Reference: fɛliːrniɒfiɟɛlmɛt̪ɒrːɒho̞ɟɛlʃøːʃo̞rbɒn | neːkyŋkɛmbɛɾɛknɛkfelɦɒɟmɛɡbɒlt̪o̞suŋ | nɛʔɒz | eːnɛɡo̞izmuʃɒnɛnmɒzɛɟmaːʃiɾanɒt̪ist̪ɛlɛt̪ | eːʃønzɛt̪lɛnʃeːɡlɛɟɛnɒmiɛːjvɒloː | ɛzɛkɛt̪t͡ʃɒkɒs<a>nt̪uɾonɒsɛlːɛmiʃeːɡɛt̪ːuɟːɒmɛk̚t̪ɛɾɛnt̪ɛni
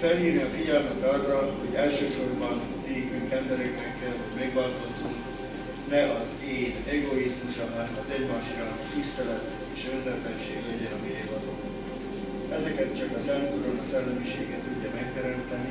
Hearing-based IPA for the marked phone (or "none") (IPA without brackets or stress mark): ɛ